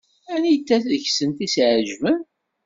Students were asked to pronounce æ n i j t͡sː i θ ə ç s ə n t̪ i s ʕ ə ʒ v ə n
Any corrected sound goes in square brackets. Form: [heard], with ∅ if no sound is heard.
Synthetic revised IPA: æ n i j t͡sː [æ] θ ə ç s ə n t̪ i s ʕ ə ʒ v ə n